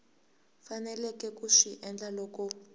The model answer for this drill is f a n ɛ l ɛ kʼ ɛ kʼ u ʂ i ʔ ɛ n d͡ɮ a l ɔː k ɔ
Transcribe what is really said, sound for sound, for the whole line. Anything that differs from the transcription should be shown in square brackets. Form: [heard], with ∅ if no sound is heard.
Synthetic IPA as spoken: f a n ɛ l ɛ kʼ ɛ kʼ u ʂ i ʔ ɛ n d͡ɮ a l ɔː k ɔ